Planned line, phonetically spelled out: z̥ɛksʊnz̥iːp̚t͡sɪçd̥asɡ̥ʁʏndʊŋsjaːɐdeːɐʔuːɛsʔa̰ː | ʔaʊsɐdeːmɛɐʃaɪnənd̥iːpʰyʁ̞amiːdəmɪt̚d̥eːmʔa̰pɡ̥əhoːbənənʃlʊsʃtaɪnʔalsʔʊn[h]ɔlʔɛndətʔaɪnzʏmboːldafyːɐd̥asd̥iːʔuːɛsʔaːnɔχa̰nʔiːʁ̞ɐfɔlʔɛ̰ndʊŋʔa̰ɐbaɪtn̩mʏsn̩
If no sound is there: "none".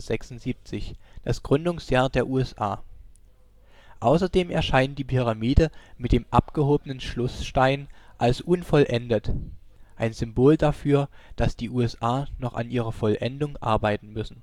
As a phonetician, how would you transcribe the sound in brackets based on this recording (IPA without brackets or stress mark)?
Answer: f